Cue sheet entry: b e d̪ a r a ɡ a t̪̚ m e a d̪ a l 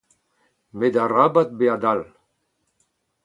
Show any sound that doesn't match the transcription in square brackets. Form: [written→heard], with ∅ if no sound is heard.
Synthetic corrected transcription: [b→m] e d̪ a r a [ɡ→b] a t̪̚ [m→b] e a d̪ a l